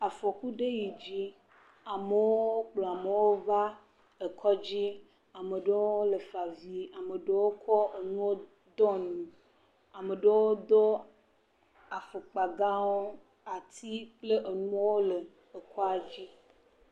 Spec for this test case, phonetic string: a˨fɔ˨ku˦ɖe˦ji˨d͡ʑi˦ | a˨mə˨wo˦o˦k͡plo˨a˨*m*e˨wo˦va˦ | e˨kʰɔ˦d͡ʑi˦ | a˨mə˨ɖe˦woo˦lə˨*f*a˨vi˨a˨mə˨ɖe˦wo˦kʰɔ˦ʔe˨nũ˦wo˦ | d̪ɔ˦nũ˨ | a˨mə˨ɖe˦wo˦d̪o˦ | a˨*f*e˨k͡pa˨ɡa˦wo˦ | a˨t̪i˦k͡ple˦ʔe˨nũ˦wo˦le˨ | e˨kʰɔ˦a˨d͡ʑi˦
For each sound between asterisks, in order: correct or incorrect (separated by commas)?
correct, correct, correct